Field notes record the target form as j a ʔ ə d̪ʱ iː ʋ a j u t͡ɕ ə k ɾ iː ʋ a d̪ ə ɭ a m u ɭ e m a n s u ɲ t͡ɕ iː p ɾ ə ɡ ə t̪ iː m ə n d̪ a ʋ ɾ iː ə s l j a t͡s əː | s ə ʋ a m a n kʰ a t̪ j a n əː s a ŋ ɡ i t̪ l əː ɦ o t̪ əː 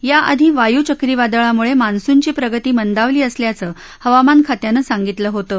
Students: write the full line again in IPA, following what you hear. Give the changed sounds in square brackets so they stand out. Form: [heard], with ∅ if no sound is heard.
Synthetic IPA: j a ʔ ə d̪ʱ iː ʋ a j u t͡ɕ ə k ɾ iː ʋ a d̪ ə ɭ a m u ɭ e m a n s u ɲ t͡ɕ iː p ɾ ə ɡ ə t̪ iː m ə n d̪ a ʋ [l] iː ə s l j a t͡s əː | [h] ə ʋ a m a n kʰ a t̪ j a n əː s a ŋ ɡ i t̪ l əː ɦ o t̪ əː